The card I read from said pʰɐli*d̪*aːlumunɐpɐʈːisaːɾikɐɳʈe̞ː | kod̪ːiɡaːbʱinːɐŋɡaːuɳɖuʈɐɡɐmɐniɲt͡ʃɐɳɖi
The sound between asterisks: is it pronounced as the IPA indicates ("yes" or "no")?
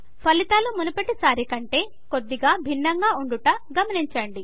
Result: no